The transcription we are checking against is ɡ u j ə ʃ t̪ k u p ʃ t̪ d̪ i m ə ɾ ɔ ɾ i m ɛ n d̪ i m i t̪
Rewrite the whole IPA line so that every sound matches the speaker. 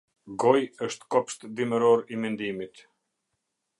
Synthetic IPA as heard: ɡ ɔ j ə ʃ t̪ k ɔ p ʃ t̪ d̪ i m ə ɾ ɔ ɾ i m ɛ n d̪ i m i t̪